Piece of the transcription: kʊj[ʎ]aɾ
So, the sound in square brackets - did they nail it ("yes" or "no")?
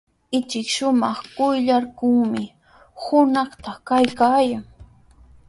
yes